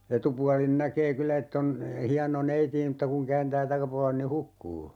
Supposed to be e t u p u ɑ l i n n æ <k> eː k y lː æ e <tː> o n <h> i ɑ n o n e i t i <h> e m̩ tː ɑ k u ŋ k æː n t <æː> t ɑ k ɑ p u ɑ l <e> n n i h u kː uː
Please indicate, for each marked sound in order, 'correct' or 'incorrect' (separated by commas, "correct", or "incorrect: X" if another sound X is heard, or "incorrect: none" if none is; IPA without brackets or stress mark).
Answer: correct, correct, correct, incorrect: none, correct, correct